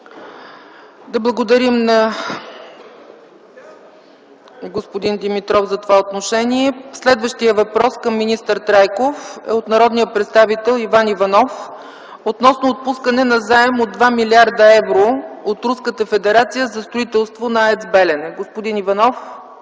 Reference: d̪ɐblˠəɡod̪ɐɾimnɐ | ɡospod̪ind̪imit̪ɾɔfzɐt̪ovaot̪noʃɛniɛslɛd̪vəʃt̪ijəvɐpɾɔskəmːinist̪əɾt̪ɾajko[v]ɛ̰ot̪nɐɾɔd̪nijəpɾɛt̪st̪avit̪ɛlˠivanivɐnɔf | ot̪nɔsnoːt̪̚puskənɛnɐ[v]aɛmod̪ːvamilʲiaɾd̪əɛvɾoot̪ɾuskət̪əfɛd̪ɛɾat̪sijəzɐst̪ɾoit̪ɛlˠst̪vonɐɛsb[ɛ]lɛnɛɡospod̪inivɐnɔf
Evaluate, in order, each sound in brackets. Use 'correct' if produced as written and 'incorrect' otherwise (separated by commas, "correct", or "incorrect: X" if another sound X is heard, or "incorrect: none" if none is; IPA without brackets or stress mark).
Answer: incorrect: f, incorrect: z, correct